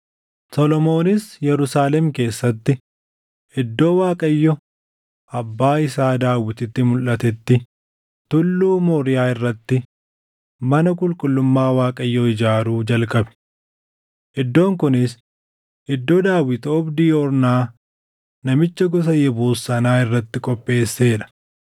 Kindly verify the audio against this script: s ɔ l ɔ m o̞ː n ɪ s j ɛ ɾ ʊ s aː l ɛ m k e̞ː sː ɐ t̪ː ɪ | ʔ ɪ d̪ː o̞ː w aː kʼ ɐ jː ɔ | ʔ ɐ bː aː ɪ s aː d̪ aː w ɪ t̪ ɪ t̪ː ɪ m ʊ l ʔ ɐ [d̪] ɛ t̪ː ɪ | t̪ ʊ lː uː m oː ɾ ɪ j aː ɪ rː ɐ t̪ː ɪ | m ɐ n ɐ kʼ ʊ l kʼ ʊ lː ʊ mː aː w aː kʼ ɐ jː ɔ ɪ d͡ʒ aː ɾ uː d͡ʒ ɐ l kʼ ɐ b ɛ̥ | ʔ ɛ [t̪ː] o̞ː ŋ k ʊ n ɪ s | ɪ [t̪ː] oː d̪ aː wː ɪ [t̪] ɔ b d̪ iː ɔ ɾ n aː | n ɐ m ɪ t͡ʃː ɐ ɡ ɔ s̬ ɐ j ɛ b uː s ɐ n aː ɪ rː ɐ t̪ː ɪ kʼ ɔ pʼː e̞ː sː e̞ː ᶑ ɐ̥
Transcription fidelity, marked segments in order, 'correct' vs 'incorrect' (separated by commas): incorrect, incorrect, incorrect, correct